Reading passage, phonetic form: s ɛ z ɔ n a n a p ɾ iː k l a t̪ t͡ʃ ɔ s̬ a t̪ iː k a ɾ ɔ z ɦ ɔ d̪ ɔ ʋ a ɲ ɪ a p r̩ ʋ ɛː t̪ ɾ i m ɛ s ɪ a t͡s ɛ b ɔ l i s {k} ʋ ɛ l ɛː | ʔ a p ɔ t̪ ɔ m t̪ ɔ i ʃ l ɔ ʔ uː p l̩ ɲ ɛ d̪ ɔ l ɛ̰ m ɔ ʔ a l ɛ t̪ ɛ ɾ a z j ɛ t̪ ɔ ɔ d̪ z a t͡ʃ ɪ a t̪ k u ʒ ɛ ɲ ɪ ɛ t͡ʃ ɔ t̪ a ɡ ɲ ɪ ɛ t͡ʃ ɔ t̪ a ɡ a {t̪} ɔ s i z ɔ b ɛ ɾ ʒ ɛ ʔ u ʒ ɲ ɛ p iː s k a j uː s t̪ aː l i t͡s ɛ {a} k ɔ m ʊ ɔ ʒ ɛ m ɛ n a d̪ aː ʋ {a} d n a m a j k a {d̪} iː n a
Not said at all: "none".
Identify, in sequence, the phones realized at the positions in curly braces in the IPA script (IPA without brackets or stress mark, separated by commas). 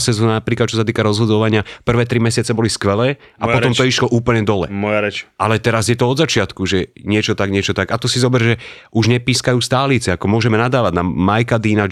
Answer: k, t̪, a, a, d̪